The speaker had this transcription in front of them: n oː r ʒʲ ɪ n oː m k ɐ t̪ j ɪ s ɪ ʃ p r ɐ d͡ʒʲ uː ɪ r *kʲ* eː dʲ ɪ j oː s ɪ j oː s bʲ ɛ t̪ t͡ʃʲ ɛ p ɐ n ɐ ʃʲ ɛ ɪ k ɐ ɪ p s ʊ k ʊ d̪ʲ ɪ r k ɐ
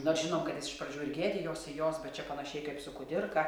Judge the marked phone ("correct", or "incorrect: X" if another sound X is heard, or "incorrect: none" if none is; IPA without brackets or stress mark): incorrect: ɡʲ